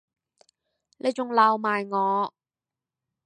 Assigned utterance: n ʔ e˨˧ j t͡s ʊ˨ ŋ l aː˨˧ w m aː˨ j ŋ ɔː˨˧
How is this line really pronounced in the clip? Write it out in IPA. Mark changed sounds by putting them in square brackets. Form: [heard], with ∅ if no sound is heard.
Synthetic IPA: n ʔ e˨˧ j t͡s ʊ˨ ŋ l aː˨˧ w m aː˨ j ŋ ɔː˨˧